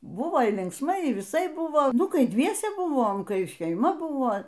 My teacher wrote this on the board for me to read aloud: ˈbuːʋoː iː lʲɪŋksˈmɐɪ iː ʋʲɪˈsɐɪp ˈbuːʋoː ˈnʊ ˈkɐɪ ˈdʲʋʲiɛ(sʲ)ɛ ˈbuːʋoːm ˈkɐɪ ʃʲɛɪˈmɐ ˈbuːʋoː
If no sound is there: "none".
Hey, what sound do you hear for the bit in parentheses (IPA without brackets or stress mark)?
sʲ